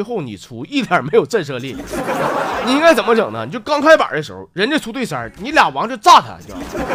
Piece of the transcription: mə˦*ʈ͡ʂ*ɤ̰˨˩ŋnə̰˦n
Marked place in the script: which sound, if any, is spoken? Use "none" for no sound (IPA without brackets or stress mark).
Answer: ʈ͡ʂ